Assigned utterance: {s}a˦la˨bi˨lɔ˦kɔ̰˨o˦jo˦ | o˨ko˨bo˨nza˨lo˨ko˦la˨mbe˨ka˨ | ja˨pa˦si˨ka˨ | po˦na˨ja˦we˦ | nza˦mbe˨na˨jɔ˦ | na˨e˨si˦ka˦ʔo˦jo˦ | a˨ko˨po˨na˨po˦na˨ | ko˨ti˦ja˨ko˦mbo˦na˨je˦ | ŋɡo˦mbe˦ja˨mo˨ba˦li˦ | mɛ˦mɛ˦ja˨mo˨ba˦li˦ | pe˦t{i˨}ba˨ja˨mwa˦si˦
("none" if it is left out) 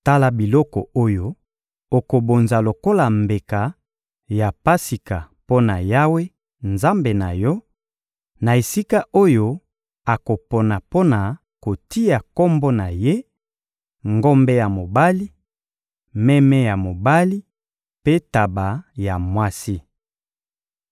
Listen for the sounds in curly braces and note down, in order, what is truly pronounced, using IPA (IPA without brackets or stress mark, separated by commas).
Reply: t, a˨